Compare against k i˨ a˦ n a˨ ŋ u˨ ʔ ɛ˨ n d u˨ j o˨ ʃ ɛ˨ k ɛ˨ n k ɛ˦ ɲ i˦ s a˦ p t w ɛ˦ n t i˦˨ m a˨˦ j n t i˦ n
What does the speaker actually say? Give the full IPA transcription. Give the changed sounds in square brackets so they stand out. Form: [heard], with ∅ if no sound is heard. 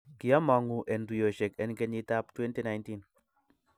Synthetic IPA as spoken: k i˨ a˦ [m] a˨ ŋ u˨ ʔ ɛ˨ n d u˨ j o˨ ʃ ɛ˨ k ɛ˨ n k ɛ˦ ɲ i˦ [t] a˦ p t w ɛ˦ n t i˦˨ [n] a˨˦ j n t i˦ n